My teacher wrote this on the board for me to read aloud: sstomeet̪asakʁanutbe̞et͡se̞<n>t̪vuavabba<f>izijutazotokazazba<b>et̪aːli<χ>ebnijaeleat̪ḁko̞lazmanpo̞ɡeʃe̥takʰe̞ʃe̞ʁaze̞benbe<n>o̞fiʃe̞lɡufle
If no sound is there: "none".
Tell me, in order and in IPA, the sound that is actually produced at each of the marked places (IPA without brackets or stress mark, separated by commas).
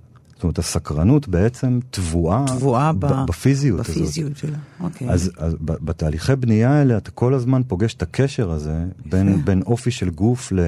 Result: m, f, b, χ, n